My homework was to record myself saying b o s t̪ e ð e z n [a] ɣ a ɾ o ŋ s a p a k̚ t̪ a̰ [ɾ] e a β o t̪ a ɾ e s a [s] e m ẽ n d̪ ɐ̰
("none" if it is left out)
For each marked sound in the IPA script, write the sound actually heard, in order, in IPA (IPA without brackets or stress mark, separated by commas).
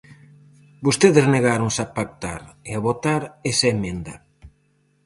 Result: e, ɾ, none